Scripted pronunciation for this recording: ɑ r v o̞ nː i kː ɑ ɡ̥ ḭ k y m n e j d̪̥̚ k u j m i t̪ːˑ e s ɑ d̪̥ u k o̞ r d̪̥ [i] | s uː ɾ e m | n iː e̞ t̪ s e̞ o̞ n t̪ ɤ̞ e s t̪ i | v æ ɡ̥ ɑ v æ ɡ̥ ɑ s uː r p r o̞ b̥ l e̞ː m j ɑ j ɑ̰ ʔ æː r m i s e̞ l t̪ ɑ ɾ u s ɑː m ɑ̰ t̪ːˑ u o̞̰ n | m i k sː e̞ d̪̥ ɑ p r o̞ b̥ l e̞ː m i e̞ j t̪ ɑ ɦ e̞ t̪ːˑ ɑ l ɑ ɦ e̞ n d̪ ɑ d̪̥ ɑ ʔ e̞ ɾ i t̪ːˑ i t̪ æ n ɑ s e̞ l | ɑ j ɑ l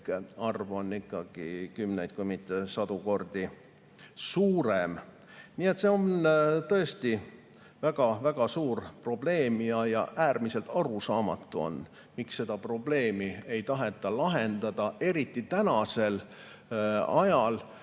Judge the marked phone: correct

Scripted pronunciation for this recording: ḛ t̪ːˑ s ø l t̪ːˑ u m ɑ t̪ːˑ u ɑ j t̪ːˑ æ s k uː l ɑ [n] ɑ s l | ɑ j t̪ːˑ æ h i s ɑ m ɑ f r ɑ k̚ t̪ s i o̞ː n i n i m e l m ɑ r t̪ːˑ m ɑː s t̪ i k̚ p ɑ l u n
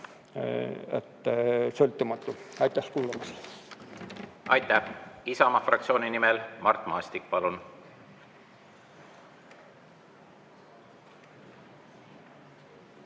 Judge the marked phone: incorrect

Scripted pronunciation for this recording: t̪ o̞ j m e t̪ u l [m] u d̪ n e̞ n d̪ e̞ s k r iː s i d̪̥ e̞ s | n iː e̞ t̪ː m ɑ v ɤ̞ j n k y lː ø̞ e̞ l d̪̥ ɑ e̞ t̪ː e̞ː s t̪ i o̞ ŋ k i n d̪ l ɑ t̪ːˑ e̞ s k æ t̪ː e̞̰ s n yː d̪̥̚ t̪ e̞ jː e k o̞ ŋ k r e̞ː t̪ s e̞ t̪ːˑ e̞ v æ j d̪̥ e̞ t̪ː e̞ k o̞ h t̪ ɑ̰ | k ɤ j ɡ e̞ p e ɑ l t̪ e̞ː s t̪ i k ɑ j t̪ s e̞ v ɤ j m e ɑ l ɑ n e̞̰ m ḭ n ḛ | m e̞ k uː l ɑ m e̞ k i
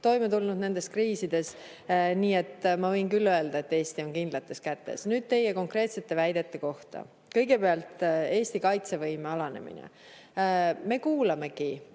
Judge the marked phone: incorrect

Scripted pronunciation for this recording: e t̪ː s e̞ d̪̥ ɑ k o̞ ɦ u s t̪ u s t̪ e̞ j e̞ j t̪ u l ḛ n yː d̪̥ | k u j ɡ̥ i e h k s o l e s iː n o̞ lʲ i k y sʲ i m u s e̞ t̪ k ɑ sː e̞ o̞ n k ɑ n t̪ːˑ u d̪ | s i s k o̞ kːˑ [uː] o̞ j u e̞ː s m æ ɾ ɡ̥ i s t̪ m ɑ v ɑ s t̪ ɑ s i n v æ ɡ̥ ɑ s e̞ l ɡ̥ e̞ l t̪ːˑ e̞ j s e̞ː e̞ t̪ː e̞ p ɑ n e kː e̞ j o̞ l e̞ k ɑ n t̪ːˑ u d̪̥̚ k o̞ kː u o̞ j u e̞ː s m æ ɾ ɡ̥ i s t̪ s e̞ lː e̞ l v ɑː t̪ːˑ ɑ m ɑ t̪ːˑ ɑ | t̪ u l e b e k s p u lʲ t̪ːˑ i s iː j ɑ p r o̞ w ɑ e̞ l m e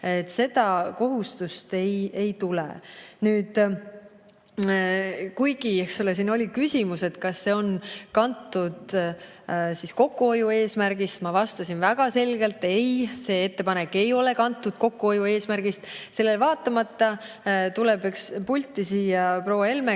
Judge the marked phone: incorrect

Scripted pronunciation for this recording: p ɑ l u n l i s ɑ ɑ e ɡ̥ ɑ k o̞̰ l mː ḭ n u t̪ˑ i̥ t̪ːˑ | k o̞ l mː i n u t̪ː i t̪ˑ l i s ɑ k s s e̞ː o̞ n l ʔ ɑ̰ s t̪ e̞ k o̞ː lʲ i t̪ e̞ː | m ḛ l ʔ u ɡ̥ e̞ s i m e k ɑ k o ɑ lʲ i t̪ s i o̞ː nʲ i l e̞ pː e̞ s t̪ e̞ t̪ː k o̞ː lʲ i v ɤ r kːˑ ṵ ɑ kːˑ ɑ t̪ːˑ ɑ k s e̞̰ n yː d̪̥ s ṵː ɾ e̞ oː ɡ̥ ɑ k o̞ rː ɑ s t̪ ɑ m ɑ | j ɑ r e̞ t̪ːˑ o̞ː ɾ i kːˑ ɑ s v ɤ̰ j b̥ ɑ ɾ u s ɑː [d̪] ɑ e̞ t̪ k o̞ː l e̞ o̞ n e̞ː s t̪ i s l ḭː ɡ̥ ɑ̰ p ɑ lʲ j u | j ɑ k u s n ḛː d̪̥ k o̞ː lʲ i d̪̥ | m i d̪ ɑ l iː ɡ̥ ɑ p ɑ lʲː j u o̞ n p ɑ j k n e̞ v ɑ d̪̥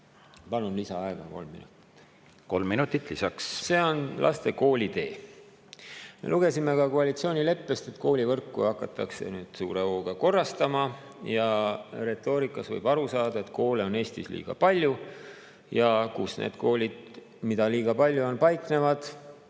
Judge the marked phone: correct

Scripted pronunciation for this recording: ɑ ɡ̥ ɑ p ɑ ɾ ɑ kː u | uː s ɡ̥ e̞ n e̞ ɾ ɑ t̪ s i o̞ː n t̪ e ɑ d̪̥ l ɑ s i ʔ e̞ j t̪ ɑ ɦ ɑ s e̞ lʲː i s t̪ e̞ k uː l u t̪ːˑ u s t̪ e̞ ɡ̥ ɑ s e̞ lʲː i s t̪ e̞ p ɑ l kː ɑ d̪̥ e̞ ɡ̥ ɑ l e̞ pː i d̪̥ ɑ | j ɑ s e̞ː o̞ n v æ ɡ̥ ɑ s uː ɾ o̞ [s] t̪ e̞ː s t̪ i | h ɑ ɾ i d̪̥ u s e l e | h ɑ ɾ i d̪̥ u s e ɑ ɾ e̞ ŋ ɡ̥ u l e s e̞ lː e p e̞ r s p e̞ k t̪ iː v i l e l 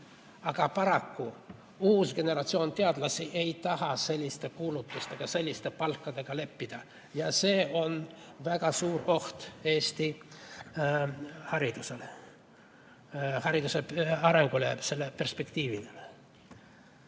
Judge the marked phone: incorrect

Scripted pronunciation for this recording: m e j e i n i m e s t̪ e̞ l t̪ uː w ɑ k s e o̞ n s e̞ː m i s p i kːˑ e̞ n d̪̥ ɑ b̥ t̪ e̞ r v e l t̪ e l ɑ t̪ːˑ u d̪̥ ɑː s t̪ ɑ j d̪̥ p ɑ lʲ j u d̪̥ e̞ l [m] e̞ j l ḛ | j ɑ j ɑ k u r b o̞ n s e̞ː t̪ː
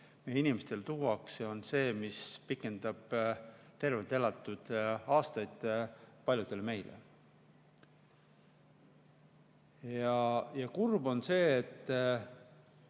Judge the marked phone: correct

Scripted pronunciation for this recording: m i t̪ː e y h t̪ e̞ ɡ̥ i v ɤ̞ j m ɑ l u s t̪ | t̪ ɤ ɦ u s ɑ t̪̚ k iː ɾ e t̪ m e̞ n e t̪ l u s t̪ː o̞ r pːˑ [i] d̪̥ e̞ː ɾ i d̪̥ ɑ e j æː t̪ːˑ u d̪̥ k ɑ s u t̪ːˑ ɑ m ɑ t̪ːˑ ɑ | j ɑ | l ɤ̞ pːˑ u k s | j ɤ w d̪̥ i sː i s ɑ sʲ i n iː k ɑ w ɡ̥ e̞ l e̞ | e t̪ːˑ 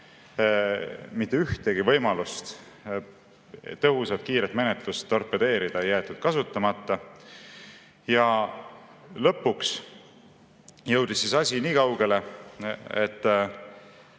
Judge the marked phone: incorrect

